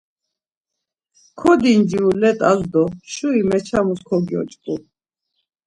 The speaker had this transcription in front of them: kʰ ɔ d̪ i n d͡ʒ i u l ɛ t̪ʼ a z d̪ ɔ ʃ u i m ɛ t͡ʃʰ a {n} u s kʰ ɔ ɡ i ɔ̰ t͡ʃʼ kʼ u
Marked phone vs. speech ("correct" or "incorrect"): incorrect